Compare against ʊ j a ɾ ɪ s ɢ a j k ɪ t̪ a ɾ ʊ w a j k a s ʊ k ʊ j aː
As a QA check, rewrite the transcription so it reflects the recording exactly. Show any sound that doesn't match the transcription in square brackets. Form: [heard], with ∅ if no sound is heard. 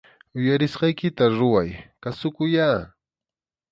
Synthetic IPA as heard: ʊ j a ɾ ɪ s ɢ [ɑ] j k ɪ t̪ a ɾ ʊ w a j k a s ʊ k ʊ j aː